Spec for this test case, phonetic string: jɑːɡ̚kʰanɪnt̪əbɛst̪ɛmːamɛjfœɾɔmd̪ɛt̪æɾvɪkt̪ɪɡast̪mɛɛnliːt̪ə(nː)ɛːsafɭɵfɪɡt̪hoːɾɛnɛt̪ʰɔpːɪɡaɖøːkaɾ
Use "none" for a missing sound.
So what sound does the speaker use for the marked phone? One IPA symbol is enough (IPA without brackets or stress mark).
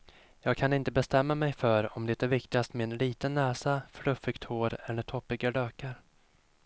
nː